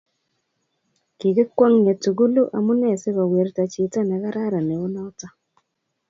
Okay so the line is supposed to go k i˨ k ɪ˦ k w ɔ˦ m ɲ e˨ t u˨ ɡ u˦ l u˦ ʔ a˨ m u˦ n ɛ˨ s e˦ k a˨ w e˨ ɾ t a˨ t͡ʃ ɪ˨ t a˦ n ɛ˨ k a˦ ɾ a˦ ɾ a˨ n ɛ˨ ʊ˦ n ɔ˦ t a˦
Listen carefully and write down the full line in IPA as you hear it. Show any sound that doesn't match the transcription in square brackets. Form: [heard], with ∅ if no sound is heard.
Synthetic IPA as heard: k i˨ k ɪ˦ k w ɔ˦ [ŋ] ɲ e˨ t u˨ ɡ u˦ l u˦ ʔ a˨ m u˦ n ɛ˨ s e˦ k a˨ w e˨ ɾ t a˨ t͡ʃ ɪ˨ t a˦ n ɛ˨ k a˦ ɾ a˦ ɾ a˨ n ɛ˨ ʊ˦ n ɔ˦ t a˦